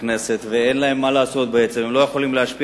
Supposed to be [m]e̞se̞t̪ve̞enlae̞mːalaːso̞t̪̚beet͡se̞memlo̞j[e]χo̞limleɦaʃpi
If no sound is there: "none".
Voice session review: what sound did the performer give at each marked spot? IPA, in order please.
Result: n, e

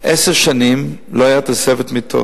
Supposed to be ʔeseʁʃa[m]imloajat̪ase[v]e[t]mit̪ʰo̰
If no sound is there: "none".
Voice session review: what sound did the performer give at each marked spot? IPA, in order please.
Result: n, v, t

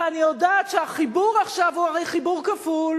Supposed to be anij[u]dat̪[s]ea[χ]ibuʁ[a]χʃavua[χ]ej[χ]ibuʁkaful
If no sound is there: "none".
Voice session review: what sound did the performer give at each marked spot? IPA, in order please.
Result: o, ʃ, χ, a, ʁ, χ

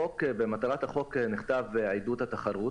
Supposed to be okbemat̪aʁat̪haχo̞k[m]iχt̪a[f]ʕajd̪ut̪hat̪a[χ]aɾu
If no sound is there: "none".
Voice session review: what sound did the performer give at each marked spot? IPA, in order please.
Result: n, v, χ

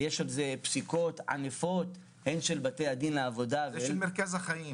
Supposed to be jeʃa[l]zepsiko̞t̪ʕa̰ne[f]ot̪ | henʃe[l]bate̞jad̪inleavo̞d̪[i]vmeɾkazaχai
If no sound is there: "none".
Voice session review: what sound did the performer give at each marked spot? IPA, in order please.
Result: l, f, l, a

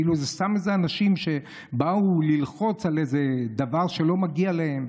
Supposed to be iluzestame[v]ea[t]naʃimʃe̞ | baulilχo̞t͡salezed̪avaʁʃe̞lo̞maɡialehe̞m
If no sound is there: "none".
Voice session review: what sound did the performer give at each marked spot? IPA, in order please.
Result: z, none

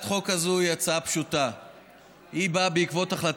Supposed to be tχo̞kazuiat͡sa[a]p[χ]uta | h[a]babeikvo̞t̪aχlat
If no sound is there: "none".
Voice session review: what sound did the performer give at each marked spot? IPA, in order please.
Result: a, ʃ, i

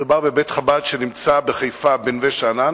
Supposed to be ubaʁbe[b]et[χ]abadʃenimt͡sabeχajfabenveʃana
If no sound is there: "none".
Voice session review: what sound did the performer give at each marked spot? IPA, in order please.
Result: b, χ

